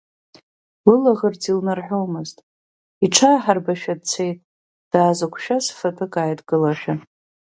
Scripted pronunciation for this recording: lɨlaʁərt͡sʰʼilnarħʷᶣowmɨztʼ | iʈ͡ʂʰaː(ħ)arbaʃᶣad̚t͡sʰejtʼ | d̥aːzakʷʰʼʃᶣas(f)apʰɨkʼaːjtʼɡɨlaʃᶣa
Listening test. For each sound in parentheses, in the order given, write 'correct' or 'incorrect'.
correct, correct

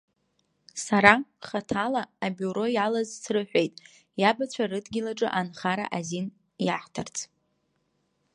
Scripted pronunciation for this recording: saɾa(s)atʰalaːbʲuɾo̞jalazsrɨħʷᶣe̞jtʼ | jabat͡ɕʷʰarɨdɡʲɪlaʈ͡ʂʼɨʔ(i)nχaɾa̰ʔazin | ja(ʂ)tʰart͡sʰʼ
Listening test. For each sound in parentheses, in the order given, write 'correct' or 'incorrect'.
incorrect, incorrect, incorrect

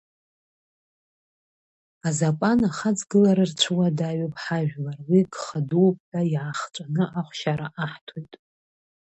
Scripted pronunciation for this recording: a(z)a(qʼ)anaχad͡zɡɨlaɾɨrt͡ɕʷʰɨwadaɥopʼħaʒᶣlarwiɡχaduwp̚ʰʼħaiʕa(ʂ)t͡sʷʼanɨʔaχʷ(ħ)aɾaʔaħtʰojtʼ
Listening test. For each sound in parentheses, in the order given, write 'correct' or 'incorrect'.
correct, incorrect, incorrect, incorrect

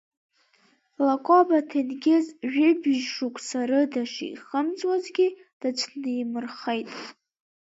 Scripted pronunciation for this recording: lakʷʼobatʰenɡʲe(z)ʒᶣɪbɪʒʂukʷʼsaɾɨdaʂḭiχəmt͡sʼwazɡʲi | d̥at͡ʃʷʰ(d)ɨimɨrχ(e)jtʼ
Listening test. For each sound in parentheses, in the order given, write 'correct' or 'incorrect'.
correct, incorrect, correct

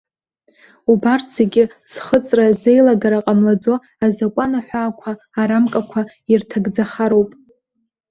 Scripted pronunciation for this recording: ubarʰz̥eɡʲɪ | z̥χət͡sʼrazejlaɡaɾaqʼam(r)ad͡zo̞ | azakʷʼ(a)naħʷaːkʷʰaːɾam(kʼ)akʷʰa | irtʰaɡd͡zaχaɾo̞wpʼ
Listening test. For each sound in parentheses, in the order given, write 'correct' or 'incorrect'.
incorrect, correct, correct

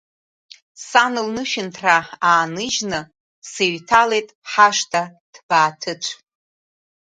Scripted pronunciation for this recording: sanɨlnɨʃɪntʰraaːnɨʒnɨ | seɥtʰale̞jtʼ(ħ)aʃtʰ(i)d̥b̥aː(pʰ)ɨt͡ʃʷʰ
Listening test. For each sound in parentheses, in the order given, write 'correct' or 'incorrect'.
correct, incorrect, incorrect

